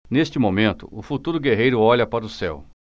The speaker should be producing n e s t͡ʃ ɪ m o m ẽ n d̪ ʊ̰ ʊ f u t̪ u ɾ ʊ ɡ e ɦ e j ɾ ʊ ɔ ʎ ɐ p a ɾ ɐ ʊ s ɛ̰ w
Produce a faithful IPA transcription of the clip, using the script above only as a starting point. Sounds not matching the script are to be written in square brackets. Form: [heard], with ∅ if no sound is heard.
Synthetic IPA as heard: n e s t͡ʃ ɪ m o m ẽ n [t̪] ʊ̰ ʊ f u t̪ u ɾ ʊ ɡ e ɦ e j ɾ ʊ ɔ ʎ ɐ p a ɾ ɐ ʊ s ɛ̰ w